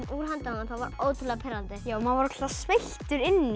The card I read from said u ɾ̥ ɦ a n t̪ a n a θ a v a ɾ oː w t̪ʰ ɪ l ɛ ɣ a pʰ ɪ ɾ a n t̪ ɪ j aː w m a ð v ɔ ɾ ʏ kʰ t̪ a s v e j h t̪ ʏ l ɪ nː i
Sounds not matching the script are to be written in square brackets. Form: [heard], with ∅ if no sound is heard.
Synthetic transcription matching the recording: u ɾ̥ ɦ a n t̪ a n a θ a v a ɾ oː w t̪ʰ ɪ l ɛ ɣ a pʰ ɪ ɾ a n t̪ ɪ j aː w m a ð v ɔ ɾ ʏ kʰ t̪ a s v e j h t̪ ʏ [ɾ] ɪ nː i